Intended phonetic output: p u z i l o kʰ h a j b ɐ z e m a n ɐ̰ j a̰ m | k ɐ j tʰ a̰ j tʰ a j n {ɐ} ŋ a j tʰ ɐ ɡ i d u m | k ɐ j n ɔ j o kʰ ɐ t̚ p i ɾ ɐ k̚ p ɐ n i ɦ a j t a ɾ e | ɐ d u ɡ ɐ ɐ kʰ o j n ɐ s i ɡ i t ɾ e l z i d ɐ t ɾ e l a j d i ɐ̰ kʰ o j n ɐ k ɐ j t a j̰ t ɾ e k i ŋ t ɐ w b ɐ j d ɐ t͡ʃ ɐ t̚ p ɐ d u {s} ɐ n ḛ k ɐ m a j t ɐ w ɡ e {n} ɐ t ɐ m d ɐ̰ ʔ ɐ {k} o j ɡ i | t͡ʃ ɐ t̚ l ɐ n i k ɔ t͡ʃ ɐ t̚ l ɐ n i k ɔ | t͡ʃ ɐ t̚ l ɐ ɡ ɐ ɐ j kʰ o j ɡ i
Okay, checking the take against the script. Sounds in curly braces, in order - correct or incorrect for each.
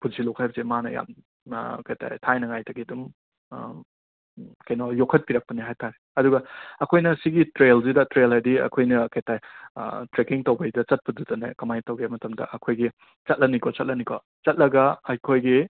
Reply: correct, incorrect: t, incorrect: m, incorrect: kʰ

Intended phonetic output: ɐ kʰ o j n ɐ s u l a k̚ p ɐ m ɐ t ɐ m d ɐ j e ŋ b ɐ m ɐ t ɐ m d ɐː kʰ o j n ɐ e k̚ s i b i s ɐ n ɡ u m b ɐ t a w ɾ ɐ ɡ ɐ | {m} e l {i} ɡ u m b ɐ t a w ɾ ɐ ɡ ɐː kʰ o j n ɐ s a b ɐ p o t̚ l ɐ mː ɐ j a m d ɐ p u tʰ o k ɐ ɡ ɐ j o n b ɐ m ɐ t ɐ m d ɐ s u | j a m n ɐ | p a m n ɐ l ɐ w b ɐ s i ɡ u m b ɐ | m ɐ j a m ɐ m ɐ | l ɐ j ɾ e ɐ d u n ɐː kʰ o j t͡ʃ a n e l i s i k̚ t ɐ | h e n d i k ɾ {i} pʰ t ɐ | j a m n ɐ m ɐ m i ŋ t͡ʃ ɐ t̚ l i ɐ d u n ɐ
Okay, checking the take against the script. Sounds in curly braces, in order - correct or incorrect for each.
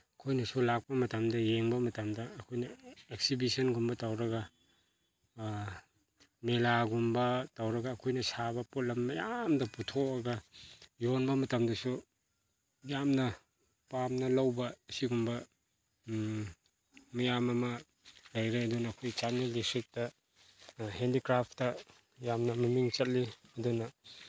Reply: correct, incorrect: a, incorrect: a

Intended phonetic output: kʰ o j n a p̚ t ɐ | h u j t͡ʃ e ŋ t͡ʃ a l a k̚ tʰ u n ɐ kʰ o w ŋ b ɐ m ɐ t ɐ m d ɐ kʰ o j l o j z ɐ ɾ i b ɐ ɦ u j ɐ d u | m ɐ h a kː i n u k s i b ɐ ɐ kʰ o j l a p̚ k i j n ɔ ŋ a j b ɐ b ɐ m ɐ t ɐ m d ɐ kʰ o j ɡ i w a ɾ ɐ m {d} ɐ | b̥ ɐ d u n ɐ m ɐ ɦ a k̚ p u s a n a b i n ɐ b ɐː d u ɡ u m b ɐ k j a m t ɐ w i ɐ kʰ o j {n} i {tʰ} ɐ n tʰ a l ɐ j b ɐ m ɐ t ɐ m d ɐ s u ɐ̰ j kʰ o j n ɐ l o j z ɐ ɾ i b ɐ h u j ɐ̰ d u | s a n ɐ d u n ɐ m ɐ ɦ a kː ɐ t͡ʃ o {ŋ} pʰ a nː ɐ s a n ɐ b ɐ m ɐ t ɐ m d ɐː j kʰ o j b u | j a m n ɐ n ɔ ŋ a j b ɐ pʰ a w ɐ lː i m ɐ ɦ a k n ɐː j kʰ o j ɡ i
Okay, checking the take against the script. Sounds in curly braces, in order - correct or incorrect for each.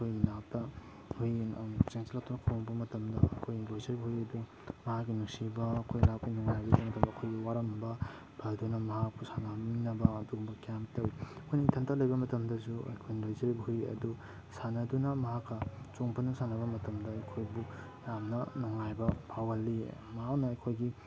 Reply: incorrect: b, correct, correct, correct

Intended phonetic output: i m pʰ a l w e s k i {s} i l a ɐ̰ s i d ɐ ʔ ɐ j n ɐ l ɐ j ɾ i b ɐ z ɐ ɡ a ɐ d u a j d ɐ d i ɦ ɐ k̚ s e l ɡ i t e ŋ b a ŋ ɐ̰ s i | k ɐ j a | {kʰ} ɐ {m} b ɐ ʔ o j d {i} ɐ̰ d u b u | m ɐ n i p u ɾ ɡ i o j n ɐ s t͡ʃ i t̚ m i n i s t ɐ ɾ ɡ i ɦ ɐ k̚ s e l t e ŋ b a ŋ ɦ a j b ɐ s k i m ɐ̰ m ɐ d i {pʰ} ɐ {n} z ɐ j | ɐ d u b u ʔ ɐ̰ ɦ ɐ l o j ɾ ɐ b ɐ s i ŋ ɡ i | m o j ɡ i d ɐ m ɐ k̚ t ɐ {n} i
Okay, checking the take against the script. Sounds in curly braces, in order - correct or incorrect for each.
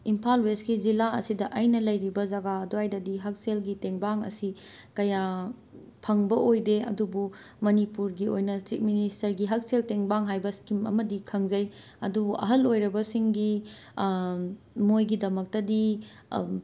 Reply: incorrect: z, incorrect: pʰ, incorrect: ŋ, incorrect: e, incorrect: kʰ, incorrect: ŋ, incorrect: d

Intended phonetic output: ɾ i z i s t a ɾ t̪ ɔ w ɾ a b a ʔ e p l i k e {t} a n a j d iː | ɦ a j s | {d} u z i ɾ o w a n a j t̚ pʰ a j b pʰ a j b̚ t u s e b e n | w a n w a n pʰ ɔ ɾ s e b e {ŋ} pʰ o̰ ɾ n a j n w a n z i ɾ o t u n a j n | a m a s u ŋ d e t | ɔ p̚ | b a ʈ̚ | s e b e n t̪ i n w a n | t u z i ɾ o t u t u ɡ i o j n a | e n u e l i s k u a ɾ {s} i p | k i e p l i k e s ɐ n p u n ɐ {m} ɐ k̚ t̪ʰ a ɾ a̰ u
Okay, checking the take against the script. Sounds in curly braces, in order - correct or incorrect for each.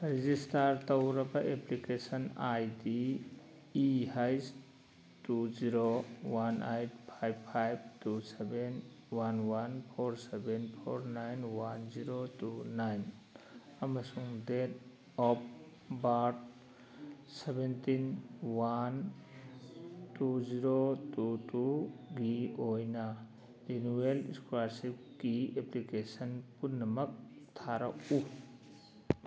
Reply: incorrect: s, incorrect: t, incorrect: n, correct, correct

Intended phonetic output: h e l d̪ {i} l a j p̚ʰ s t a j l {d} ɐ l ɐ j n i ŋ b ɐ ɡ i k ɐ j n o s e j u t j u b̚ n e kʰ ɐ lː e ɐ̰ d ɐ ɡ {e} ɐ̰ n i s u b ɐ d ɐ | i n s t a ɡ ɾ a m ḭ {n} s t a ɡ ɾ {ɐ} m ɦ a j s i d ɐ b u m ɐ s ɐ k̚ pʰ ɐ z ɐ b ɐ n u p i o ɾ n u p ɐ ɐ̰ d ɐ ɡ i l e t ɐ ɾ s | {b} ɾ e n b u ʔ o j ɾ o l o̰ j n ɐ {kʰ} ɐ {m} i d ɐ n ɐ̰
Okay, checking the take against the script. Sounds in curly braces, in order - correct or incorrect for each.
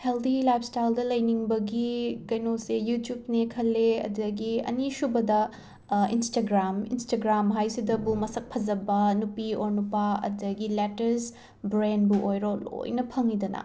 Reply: correct, correct, incorrect: i, correct, incorrect: a, correct, incorrect: pʰ, incorrect: ŋ

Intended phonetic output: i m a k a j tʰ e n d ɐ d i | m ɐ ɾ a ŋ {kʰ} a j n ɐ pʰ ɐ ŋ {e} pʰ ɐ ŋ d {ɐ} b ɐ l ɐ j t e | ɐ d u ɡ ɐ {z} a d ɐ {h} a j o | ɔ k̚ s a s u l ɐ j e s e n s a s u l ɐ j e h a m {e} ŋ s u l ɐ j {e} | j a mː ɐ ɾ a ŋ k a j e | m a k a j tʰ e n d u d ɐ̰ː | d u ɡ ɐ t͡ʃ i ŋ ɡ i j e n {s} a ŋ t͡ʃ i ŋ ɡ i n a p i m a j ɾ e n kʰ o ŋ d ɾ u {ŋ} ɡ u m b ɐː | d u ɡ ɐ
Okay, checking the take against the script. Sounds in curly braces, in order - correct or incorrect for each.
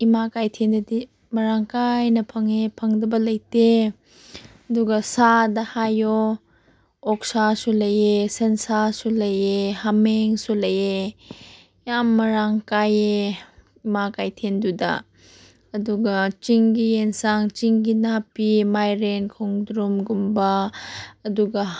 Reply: incorrect: k, correct, correct, incorrect: s, correct, correct, correct, correct, incorrect: m

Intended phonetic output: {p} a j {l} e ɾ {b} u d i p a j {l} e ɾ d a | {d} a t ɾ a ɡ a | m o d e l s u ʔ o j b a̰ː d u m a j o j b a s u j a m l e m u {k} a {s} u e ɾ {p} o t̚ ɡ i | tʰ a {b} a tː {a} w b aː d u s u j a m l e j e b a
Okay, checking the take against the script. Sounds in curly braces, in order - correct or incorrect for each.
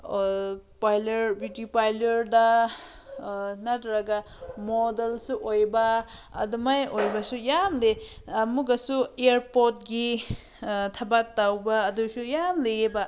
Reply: correct, correct, correct, correct, incorrect: n, incorrect: ɡ, correct, correct, correct, correct

